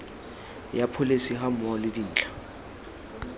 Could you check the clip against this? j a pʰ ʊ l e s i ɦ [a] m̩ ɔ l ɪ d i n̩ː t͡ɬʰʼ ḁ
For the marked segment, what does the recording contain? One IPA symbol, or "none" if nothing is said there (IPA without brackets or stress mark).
a